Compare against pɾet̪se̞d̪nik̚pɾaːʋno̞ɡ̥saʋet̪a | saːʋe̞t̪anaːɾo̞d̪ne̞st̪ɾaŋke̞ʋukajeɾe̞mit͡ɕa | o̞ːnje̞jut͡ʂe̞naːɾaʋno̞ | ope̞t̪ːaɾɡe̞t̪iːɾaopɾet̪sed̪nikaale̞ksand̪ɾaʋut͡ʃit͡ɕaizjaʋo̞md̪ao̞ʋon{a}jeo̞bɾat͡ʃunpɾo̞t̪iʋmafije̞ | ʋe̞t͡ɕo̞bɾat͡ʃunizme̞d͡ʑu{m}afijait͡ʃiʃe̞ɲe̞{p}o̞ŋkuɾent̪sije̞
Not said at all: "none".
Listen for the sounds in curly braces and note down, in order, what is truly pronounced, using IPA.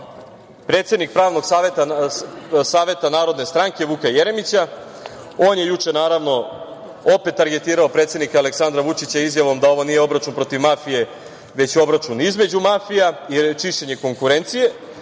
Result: i, m, k

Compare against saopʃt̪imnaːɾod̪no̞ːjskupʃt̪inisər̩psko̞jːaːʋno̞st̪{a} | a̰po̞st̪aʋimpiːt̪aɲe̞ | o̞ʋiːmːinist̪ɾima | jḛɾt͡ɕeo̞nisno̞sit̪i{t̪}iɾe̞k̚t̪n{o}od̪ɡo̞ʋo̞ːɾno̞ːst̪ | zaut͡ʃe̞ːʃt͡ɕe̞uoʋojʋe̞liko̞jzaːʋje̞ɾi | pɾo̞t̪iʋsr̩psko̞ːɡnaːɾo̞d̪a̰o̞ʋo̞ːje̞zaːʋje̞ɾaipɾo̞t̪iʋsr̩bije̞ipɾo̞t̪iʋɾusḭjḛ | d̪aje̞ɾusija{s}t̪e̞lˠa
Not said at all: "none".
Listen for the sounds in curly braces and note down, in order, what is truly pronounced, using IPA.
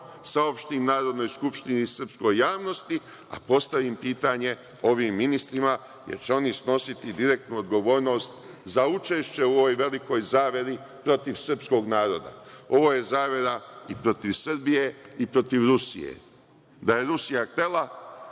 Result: i, d̪, u, x

